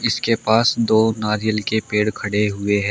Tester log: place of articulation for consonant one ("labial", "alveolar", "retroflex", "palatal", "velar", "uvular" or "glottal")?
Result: alveolar